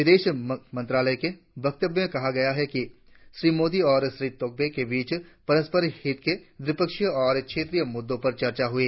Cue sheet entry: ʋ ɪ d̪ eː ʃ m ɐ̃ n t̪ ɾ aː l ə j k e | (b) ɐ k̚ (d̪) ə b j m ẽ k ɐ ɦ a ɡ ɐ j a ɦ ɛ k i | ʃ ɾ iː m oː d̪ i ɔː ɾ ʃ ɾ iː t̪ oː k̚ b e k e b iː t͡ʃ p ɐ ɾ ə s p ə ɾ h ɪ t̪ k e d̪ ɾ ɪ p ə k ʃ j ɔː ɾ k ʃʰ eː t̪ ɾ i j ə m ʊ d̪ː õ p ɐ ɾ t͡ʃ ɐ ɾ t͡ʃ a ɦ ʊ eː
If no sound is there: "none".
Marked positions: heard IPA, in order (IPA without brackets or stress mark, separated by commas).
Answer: b, t̪